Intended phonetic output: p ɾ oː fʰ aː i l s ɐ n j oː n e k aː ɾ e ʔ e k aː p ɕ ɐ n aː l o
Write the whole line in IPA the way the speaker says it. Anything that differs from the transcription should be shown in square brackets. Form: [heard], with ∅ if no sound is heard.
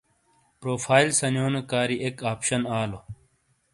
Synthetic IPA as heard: p ɾ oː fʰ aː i l s ɐ n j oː n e k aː ɾ [i] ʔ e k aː p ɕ ɐ n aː l o